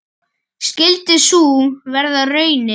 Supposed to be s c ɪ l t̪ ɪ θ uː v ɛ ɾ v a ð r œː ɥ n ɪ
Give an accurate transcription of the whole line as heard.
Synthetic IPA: s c ɪ l t̪ ɪ s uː v ɛ ɾ ð a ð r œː ɥ n ɪ